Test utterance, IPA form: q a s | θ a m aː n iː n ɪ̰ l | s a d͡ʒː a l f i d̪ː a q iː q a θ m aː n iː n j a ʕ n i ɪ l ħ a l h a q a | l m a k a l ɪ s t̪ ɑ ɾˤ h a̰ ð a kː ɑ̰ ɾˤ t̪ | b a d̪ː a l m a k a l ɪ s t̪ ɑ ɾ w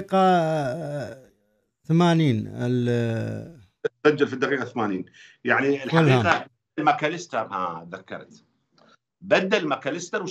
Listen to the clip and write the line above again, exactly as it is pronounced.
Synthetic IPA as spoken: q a | θ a m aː n iː n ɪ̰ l | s a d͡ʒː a l f i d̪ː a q iː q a θ m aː n iː n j a ʕ n i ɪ l ħ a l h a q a | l m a k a l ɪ s t̪ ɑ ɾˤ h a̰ ð a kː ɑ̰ ɾˤ t̪ | b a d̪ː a l m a k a l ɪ s t̪ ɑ ɾ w